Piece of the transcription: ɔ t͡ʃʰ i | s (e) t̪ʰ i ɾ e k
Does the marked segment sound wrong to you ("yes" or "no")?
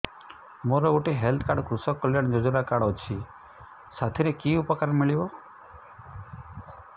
yes